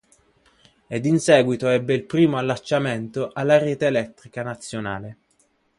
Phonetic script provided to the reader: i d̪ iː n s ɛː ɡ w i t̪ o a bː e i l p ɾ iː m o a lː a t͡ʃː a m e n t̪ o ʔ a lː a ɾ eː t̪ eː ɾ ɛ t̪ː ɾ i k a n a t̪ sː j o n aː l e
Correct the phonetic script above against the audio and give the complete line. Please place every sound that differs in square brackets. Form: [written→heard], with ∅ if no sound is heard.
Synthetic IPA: [i→e] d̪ [iː→i] n s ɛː ɡ w i t̪ o [a→ɛ] bː e i l p ɾ iː m o a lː a t͡ʃː a m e n t̪ o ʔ a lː a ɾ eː t̪ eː [ɾ→l] ɛ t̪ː ɾ i k a n a t̪ sː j o n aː l e